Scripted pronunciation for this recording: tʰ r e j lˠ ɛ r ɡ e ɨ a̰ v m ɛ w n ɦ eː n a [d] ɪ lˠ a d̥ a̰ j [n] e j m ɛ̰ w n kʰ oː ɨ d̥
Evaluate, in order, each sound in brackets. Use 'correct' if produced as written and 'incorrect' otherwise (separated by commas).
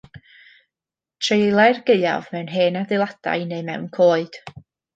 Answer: correct, correct